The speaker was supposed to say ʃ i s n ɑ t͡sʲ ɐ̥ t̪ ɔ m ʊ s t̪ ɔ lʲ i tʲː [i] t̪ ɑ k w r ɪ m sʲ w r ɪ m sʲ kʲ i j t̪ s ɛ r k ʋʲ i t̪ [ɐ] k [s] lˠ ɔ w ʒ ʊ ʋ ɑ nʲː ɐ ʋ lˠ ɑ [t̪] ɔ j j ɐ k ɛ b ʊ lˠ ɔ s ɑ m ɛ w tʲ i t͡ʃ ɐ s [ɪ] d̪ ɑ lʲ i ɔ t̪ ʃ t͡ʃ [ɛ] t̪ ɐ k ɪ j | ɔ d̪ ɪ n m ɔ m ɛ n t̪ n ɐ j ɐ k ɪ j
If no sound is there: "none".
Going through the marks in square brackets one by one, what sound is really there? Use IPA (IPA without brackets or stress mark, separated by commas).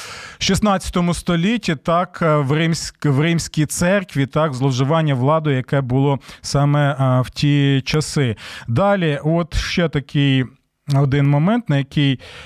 i, ɑ, z, d̪, ɪ, ɛ